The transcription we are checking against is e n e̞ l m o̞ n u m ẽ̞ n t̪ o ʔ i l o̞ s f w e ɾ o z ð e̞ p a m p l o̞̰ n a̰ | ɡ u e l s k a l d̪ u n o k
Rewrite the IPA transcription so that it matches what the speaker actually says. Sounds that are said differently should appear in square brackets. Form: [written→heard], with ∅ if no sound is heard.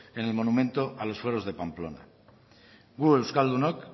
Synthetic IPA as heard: e n e̞ l m o̞ n u m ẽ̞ n t̪ o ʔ [i→a] l o̞ s f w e ɾ o z ð e̞ p a m p l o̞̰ n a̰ | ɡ u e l s k a l d̪ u n o k